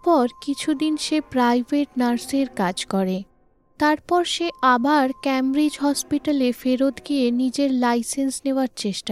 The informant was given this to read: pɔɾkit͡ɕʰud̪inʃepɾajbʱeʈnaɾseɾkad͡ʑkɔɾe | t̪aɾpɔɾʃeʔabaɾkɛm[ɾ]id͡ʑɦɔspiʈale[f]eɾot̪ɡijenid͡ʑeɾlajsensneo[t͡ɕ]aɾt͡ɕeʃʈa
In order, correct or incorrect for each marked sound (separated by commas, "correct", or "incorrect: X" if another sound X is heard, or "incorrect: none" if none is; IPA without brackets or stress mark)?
correct, correct, incorrect: none